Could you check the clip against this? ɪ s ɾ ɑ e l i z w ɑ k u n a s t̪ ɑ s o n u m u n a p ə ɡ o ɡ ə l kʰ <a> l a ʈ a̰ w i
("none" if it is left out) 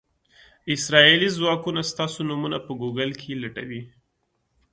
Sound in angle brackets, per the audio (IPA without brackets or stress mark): e